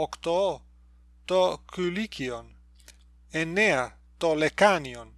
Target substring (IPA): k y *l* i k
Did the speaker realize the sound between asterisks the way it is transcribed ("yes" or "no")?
yes